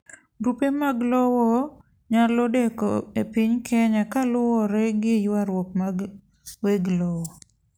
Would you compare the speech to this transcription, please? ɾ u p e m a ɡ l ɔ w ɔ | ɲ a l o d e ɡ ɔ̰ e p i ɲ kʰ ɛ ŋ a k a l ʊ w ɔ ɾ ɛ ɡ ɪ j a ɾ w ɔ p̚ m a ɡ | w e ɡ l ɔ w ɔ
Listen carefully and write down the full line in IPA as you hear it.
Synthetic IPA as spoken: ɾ u p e m a ɡ l ɔ w ɔ | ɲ a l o d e k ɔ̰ e p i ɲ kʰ ɛ ɲ a k a l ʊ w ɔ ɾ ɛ ɡ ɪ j a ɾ w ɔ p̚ m a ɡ | w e ɡ l ɔ w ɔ